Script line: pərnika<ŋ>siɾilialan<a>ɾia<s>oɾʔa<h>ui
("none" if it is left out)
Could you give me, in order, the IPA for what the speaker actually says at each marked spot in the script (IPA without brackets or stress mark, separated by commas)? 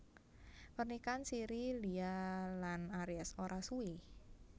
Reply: n, a, s, s